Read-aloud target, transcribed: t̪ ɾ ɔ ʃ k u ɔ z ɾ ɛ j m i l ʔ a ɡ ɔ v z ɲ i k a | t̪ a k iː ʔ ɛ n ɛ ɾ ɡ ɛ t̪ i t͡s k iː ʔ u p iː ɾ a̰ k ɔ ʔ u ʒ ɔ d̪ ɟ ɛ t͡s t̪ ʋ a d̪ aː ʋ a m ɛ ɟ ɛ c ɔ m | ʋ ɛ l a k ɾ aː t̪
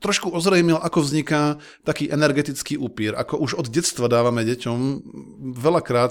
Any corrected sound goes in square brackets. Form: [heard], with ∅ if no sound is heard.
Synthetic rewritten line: t̪ ɾ ɔ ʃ k u ɔ z ɾ ɛ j m i l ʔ a [k] ɔ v z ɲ i k a | t̪ a k iː ʔ ɛ n ɛ ɾ ɡ ɛ t̪ i t͡s k iː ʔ u p iː ɾ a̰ k ɔ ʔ u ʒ ɔ d̪ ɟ ɛ t͡s t̪ ʋ a d̪ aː ʋ a m ɛ ɟ ɛ c ɔ m | ʋ ɛ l a k ɾ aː t̪